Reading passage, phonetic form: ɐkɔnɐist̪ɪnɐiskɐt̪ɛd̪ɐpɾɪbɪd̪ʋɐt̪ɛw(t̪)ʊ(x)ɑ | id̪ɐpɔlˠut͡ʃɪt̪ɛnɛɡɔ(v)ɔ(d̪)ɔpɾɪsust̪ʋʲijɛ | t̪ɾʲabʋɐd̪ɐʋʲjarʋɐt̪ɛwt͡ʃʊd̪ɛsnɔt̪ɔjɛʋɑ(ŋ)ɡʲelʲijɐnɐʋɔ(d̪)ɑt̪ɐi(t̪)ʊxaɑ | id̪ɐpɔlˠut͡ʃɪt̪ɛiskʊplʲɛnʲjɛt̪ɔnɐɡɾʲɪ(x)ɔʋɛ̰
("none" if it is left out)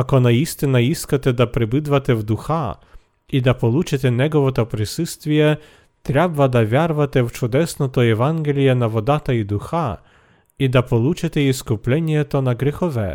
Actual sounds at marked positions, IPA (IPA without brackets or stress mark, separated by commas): d̪, x, ʋ, t̪, n, d̪, d̪, x